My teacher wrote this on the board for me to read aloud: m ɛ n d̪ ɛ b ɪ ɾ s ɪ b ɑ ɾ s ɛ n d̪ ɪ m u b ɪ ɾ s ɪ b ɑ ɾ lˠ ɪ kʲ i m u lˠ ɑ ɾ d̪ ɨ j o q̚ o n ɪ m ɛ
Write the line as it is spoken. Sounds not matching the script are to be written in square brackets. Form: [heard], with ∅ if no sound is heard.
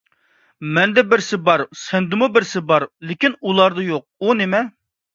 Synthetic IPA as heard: m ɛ n d̪ ɛ b ɪ ɾ s ɪ b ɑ ɾ s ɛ n d̪ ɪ m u b ɪ ɾ s ɪ b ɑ ɾ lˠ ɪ kʲ i [n] u lˠ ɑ ɾ d̪ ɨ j o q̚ [u] n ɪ m ɛ